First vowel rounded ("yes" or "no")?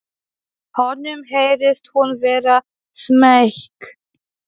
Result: yes